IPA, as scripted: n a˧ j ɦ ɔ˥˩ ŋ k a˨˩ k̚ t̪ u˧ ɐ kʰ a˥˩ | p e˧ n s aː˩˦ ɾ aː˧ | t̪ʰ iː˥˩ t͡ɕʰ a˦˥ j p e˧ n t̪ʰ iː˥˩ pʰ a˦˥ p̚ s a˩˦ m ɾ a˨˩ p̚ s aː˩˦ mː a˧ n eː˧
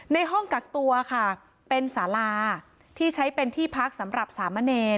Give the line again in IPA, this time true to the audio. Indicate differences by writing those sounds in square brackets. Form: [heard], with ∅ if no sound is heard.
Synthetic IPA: n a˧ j ɦ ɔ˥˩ ŋ k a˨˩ k̚ t̪ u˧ ɐ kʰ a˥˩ | p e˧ n s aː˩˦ [l] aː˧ | t̪ʰ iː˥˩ t͡ɕʰ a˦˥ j p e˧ n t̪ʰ iː˥˩ pʰ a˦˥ [k̚] s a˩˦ m ɾ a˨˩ p̚ s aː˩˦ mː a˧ n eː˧